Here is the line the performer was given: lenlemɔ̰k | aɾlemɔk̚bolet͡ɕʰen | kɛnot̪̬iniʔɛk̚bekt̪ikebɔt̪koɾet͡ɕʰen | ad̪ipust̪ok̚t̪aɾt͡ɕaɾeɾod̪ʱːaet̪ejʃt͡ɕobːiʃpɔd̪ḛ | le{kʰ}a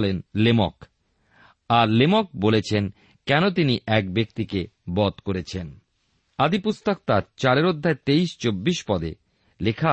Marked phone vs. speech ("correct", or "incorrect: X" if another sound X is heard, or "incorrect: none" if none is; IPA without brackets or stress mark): correct